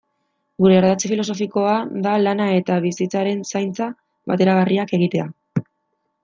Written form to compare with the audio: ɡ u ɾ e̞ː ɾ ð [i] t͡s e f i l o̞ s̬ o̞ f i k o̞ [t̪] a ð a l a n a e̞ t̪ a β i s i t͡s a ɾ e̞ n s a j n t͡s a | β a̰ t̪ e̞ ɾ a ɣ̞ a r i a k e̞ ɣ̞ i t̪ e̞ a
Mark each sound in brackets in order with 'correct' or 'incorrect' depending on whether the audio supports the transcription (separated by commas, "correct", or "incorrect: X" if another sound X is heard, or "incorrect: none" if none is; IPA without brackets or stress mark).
incorrect: a, incorrect: none